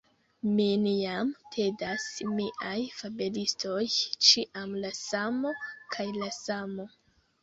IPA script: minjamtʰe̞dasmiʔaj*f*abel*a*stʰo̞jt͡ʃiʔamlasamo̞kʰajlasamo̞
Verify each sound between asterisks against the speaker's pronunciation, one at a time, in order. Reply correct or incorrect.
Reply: correct, incorrect: i

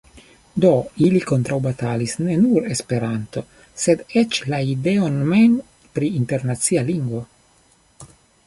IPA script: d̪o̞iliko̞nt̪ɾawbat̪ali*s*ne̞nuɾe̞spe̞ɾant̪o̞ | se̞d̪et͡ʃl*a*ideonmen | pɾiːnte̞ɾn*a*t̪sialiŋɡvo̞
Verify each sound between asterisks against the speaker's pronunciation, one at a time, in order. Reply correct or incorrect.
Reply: correct, correct, correct

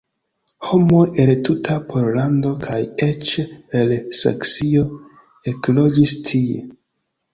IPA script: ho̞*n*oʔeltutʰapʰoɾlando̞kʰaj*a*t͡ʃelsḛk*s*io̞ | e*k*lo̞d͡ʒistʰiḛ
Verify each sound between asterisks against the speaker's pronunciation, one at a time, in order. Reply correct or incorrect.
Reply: incorrect: m, incorrect: e, correct, correct

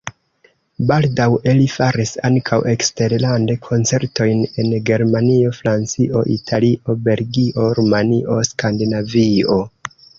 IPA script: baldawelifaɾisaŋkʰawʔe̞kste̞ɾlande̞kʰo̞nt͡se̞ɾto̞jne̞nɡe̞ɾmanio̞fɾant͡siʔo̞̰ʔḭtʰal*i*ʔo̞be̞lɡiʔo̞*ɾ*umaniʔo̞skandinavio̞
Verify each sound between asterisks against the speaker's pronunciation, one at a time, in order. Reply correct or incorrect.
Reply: correct, correct

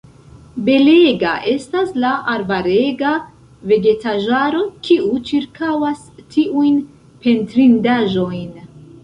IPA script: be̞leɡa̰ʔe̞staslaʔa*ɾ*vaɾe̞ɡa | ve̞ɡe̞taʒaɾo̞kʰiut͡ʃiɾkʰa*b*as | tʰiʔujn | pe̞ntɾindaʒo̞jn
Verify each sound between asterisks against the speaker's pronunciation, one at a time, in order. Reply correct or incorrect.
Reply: correct, incorrect: w

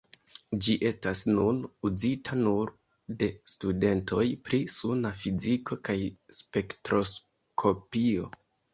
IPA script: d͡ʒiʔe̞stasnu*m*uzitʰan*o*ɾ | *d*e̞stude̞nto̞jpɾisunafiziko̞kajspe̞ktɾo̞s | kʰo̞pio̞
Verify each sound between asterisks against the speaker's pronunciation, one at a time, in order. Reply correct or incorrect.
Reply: incorrect: n, incorrect: u, correct

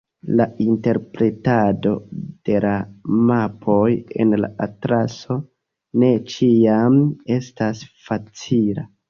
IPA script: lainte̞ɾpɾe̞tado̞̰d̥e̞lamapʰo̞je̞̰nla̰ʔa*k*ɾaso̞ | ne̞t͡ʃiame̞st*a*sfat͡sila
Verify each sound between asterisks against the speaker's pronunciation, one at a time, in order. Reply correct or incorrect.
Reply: incorrect: t, correct

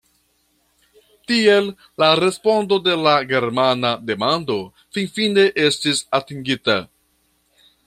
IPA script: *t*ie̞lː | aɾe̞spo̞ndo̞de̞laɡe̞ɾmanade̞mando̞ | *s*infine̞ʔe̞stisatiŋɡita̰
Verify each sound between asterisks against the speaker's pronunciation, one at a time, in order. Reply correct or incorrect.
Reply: correct, incorrect: f

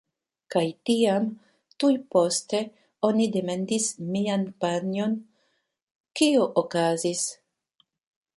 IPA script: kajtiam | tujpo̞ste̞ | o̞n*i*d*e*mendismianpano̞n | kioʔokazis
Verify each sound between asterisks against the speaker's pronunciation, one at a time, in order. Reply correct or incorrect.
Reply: correct, correct

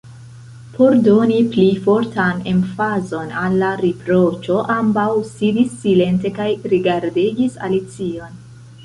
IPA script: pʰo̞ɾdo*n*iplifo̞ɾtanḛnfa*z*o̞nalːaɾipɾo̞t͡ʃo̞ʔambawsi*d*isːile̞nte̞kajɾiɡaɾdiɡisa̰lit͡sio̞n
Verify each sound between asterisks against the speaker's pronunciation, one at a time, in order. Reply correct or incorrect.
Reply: correct, correct, correct

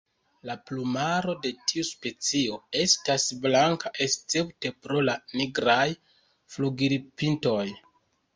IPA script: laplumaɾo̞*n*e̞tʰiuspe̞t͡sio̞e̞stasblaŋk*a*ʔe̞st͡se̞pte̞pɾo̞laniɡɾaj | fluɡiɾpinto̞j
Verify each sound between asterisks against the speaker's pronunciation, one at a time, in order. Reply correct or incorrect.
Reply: incorrect: d, correct

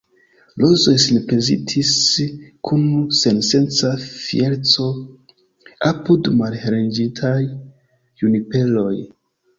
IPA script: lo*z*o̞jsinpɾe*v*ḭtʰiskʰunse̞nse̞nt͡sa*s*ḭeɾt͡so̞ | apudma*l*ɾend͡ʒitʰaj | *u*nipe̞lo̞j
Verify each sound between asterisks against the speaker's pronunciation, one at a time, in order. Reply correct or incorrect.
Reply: correct, incorrect: z, incorrect: f, correct, correct

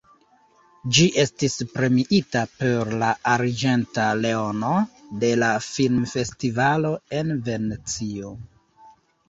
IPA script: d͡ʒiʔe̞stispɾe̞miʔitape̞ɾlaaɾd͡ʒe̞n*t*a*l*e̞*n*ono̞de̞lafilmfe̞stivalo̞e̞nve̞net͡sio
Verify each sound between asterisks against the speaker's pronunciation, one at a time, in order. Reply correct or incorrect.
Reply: correct, correct, incorrect: none

